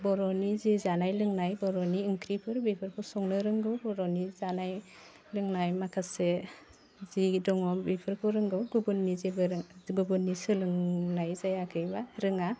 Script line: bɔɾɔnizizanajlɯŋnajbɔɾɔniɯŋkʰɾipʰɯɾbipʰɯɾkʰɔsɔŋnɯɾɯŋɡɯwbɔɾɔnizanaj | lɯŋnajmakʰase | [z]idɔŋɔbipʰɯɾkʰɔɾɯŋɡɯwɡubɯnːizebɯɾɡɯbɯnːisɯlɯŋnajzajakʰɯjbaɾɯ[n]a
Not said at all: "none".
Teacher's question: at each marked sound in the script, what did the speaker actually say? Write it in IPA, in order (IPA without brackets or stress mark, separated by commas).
z, ŋ